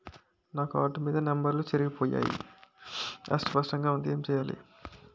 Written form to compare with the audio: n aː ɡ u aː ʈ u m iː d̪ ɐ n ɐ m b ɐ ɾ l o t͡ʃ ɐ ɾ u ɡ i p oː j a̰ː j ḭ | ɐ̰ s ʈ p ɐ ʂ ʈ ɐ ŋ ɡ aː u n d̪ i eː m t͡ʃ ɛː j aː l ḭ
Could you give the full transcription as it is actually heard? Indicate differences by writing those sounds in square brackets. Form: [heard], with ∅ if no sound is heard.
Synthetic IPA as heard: n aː [k] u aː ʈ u m iː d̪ ɐ n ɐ m b ɐ ɾ l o t͡ʃ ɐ ɾ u ɡ i p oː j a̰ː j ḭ | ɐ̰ s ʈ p ɐ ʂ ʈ ɐ ŋ ɡ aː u n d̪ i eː m t͡ʃ ɛː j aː l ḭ